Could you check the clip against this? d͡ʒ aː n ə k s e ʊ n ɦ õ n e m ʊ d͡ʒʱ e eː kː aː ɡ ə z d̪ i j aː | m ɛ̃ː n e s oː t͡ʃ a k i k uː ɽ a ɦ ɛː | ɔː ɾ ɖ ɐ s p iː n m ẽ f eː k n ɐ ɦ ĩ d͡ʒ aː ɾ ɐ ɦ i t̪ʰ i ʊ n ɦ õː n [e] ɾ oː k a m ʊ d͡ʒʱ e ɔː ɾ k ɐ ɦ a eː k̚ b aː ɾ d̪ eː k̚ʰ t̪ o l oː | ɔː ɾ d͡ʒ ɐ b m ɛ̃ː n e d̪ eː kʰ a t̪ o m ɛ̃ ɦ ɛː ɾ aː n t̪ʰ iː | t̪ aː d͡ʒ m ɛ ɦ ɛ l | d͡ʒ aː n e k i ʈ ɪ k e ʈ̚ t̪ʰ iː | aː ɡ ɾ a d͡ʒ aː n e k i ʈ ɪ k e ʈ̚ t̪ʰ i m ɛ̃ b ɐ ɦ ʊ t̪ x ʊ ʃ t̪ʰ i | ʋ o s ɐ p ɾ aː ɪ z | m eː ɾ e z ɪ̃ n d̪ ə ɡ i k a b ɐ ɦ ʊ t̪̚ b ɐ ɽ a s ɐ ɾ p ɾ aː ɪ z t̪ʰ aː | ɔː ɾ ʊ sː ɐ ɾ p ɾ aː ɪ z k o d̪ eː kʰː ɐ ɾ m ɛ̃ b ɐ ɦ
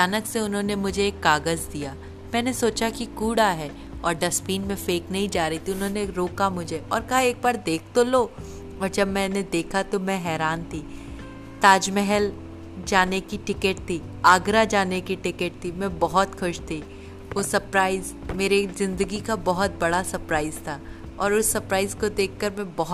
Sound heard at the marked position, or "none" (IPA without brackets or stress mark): e